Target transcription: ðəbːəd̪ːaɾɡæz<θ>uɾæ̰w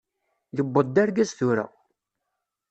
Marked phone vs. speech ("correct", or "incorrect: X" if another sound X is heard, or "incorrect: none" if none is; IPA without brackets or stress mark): correct